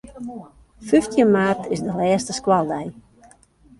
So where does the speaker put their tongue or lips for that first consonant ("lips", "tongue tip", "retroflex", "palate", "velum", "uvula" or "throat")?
lips